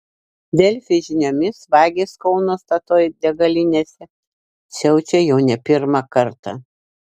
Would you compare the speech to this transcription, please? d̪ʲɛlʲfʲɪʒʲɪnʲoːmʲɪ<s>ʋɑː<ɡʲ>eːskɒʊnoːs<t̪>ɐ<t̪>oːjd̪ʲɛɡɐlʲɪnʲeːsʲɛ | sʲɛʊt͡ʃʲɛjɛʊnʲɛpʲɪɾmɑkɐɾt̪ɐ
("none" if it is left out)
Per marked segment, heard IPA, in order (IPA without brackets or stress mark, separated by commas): s, ɡʲ, t̪, t̪